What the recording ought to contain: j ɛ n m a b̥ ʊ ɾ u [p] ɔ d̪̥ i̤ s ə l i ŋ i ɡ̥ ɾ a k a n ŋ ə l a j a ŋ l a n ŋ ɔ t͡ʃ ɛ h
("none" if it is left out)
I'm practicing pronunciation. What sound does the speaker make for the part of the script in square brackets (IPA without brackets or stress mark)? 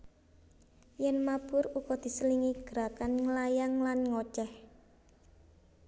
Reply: k